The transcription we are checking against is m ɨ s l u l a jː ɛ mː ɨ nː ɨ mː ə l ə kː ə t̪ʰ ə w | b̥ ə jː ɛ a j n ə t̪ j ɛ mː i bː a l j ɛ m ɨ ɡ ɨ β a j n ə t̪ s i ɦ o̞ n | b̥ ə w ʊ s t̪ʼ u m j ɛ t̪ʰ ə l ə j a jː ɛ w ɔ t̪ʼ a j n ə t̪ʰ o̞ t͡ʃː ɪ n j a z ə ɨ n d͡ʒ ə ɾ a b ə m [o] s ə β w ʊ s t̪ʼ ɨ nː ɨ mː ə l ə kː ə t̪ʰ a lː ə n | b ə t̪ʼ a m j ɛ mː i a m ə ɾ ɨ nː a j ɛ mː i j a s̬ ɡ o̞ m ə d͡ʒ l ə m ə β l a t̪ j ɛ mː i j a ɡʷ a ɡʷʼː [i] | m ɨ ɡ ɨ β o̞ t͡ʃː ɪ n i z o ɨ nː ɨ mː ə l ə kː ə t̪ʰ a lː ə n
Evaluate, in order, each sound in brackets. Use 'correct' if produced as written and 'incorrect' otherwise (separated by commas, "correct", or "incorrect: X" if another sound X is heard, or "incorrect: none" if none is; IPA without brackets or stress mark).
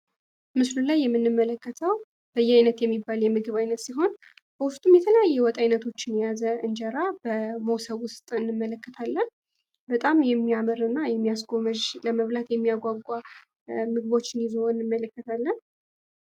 correct, incorrect: a